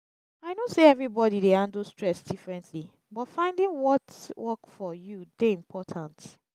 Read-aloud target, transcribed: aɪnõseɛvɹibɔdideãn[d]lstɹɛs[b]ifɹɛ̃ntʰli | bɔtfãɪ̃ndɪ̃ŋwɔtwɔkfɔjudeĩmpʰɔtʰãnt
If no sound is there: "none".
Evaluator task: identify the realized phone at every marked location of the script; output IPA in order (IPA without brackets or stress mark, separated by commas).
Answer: d, d